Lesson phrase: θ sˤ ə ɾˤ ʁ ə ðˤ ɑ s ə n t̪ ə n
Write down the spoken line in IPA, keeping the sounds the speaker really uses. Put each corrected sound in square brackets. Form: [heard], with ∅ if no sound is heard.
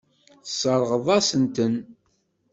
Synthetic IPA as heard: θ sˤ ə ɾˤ ʁ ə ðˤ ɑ s ə n t̪ ə n